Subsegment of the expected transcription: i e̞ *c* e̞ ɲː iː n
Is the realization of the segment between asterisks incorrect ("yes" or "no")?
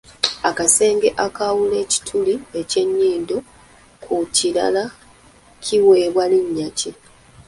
no